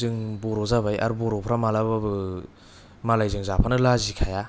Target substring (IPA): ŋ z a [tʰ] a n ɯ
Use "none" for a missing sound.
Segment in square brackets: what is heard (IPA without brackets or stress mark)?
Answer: pʰ